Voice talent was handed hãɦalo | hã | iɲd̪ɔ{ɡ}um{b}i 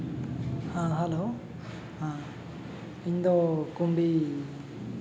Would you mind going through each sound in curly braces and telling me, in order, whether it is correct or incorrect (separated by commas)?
incorrect, correct